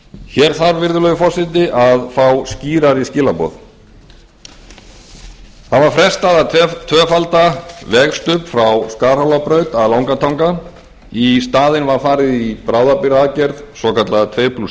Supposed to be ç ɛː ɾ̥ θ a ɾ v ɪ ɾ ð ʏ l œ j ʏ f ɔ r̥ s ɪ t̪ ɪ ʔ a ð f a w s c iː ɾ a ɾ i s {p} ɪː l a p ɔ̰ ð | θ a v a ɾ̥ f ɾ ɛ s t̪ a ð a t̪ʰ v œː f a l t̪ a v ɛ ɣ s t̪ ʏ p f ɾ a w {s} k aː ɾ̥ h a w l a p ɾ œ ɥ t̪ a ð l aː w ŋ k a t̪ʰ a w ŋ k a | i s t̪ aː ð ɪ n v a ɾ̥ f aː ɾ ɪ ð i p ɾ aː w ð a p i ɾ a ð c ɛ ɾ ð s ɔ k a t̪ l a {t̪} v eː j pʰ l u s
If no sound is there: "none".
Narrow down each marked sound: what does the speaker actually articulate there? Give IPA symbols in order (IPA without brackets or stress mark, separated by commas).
c, s, t̪ʰ